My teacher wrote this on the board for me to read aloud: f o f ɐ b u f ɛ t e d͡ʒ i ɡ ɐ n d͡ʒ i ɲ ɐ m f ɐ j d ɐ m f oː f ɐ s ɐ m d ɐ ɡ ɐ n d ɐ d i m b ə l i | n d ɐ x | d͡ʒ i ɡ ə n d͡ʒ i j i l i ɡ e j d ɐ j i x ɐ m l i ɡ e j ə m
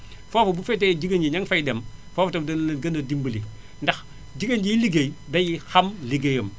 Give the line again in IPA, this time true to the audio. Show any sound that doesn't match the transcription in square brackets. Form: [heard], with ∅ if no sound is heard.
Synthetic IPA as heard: f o f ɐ b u f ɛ t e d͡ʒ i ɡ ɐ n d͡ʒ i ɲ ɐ [ŋ] f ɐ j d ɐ m f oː f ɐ [t] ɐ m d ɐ ɡ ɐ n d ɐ d i m b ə l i | n d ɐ x | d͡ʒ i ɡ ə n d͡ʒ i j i l i ɡ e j d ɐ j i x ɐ m l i ɡ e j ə m